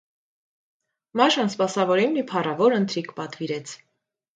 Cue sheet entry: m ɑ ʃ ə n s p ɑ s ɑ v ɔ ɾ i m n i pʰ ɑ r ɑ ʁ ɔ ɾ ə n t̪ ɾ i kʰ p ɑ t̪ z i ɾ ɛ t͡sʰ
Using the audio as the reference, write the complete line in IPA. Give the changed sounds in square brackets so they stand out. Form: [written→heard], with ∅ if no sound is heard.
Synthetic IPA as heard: m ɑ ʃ [ə→ɑ] n s p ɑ s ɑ v ɔ ɾ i m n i pʰ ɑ r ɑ [ʁ→v] ɔ ɾ ə n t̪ ɾ i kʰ p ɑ t̪ [z→v] i ɾ ɛ t͡sʰ